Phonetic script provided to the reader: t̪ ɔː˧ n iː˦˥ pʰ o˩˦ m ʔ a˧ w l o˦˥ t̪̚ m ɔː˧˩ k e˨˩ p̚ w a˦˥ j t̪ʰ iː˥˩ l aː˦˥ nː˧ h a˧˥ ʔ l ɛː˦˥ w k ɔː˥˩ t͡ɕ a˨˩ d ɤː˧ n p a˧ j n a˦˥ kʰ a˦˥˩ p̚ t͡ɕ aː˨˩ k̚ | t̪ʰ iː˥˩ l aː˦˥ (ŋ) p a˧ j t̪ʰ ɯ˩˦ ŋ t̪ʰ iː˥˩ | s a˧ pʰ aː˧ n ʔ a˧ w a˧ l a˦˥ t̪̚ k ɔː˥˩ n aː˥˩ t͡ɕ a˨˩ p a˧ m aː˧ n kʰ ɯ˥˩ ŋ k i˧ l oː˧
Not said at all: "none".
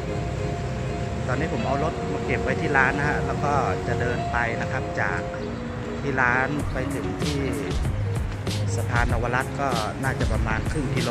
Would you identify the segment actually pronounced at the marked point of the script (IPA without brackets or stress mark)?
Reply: n